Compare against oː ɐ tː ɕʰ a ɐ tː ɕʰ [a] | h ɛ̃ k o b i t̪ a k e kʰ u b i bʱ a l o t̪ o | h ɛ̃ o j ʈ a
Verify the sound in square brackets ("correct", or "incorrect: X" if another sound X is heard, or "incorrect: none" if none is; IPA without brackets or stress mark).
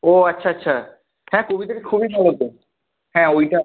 correct